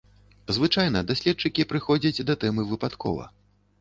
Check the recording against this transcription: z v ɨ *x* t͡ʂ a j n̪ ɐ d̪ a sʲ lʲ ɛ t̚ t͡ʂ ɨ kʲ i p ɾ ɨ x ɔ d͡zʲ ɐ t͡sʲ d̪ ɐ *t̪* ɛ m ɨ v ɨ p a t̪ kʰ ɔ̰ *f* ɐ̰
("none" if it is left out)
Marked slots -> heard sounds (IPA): none, t̪, v

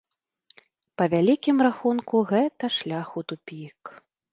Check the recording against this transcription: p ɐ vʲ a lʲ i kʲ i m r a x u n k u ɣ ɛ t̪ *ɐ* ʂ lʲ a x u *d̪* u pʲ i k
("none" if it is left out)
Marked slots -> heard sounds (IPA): ɐ, t̪

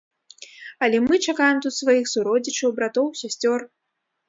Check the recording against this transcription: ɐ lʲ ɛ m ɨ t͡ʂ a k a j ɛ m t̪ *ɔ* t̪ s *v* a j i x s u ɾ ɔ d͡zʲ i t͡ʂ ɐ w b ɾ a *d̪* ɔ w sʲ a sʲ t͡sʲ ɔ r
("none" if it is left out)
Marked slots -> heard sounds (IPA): u, v, t̪

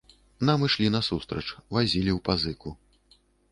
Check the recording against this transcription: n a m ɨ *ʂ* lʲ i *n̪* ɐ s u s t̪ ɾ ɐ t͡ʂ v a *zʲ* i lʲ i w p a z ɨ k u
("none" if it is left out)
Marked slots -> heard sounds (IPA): ʂ, n̪, zʲ

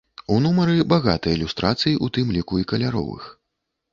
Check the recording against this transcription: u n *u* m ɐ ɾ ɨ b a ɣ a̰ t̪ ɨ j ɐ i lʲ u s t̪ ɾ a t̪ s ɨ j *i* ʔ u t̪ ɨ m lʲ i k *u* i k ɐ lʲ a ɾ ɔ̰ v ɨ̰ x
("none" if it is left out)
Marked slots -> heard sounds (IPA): u, i, u

